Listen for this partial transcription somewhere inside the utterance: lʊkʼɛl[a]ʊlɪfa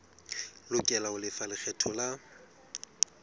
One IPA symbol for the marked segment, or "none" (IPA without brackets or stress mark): a